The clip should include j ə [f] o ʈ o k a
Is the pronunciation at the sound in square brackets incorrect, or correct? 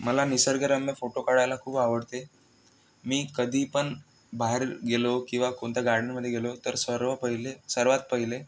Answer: correct